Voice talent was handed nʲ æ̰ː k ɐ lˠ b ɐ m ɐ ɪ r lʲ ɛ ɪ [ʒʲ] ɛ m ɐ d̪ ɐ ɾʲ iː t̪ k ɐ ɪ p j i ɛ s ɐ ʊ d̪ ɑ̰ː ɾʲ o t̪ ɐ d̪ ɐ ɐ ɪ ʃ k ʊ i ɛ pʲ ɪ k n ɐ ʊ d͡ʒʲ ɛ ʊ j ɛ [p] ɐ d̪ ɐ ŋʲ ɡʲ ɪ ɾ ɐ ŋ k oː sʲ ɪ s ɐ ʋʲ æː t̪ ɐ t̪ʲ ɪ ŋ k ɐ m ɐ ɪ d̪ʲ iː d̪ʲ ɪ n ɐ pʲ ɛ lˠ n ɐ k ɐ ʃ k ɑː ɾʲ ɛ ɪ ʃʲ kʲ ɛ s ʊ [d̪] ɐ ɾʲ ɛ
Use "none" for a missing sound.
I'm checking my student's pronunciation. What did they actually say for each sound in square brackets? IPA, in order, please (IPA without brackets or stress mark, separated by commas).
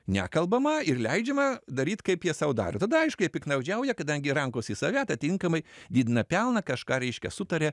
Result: d͡ʒʲ, k, t̪